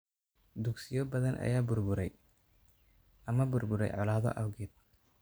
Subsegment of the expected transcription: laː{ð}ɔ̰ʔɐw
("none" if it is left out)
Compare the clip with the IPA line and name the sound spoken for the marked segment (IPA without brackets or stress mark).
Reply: ð